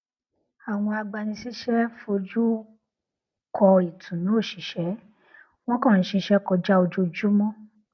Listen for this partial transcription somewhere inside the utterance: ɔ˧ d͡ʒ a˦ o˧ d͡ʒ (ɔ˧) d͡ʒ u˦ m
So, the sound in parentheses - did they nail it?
no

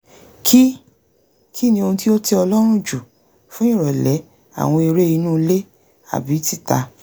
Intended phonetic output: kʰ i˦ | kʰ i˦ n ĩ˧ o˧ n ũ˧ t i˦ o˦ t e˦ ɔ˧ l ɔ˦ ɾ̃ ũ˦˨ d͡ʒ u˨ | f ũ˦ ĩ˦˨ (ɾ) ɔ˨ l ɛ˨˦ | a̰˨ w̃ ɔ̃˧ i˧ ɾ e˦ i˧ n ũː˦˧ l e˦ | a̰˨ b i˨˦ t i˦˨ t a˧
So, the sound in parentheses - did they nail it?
yes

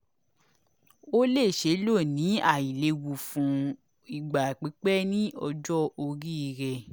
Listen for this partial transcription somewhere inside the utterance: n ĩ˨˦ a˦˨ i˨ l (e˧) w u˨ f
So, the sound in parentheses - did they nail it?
yes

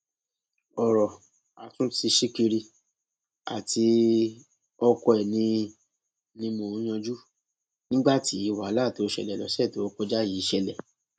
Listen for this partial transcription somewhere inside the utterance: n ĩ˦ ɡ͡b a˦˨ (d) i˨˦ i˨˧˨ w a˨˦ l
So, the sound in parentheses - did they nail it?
no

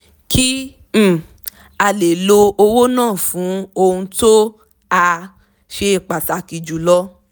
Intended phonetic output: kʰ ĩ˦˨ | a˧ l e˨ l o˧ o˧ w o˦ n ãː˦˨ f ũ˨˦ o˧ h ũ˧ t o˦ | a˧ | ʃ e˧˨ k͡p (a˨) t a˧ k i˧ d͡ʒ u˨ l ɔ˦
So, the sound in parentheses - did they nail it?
yes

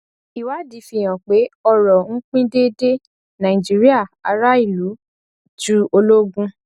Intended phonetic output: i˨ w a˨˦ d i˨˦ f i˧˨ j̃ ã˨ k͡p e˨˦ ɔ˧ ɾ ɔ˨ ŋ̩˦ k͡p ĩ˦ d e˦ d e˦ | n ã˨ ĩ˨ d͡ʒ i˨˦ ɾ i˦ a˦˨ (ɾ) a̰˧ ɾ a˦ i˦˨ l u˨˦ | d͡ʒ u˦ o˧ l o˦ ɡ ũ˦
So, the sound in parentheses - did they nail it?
no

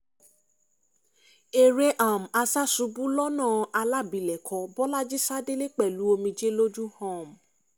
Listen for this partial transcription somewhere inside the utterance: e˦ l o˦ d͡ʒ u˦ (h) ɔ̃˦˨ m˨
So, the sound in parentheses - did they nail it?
yes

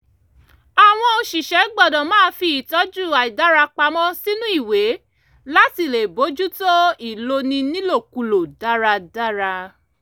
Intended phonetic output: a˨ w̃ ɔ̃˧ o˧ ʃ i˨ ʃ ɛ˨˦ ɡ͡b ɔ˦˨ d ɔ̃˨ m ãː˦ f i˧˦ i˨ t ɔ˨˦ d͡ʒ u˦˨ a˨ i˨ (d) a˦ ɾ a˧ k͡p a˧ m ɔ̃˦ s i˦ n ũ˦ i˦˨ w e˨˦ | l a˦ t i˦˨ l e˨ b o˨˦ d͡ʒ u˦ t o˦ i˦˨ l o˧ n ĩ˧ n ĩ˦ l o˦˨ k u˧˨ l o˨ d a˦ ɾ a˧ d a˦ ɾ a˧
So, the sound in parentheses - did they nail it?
yes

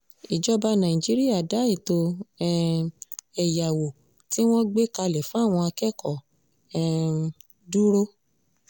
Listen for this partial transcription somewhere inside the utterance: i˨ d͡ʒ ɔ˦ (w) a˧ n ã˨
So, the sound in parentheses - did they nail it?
no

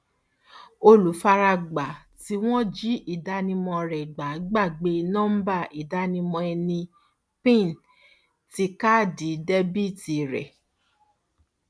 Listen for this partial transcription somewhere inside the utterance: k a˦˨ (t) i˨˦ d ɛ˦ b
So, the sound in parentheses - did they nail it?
no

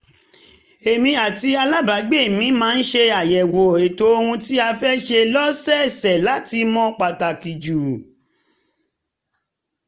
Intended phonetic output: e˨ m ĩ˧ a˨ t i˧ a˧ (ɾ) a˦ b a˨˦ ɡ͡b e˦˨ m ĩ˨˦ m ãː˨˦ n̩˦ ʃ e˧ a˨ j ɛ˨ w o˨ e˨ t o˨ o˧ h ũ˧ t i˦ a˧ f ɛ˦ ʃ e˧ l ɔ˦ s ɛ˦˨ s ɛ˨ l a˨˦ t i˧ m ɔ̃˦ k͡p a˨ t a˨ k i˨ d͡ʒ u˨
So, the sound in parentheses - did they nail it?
no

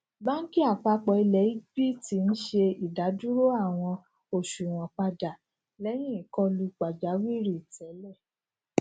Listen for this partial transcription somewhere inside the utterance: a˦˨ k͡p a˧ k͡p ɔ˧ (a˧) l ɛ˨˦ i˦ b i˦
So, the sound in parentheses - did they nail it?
no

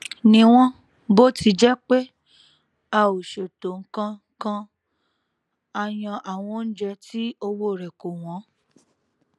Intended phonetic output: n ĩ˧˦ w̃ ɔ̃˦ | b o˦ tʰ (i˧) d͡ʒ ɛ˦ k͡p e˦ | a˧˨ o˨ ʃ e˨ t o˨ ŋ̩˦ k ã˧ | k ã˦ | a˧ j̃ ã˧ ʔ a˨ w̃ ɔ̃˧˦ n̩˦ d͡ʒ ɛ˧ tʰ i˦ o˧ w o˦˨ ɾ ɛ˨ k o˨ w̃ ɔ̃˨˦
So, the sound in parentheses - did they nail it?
yes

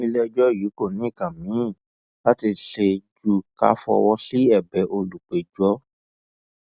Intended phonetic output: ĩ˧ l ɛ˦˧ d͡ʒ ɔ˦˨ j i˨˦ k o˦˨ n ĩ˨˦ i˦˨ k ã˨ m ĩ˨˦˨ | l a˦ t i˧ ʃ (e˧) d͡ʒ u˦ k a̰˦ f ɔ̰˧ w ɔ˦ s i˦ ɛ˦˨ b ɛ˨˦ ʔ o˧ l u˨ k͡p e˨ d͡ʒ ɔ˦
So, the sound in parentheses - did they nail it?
yes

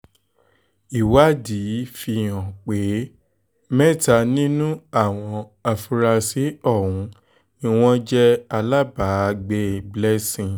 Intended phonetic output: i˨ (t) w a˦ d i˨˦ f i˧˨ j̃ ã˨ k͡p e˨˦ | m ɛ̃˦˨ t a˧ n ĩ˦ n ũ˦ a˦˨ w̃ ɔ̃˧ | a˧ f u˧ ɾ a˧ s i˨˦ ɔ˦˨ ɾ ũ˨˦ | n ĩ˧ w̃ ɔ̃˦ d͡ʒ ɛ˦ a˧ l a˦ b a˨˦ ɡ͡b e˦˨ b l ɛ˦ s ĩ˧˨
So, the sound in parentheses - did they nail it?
no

